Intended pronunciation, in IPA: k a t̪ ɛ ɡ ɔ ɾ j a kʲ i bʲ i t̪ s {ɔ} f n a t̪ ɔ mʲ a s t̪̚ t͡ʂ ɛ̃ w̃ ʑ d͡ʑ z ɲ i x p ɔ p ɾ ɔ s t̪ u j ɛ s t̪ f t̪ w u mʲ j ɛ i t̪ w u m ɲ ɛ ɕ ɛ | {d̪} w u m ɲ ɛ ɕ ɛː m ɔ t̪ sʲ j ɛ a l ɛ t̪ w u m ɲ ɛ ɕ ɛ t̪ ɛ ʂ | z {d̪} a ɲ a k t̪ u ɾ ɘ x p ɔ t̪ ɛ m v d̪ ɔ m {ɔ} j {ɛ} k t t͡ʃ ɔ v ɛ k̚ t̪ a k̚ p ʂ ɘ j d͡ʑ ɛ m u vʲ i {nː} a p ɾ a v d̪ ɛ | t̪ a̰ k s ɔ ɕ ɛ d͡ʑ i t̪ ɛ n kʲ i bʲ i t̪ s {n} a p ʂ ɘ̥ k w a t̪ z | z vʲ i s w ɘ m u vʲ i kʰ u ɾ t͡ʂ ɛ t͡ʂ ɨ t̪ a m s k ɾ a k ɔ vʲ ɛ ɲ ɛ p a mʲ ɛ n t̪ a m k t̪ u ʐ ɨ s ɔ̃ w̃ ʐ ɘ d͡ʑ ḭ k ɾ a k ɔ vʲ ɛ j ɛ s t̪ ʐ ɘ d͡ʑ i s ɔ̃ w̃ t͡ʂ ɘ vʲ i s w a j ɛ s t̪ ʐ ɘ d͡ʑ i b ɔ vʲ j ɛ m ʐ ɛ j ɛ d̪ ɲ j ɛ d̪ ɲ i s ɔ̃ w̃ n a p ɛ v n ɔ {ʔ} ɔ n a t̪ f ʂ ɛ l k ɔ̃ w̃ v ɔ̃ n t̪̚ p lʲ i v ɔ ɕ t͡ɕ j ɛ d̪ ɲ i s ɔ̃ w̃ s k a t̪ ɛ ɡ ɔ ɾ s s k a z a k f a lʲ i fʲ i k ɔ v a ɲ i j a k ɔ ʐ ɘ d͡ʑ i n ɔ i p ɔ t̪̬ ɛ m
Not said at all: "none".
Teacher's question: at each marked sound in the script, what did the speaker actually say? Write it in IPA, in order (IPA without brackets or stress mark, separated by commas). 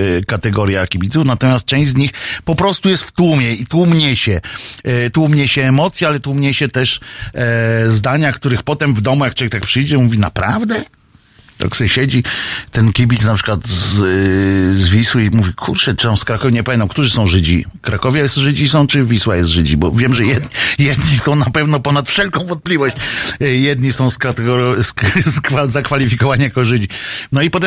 u, t̪, d̪, u, a, n, n, p